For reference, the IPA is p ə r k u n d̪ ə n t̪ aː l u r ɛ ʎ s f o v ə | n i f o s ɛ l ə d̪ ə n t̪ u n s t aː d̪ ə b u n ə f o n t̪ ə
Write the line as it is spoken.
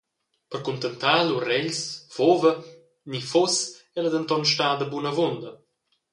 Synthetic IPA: p ə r k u n t̪ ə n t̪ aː l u r ɛ ʎ s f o v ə | n i f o s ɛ l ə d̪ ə n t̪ ɔ n ʃ t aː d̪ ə b u n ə v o n d̪ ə